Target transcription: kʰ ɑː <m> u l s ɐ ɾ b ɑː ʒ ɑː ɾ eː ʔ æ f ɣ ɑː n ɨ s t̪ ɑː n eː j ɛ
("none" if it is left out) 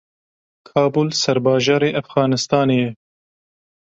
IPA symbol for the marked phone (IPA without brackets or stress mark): b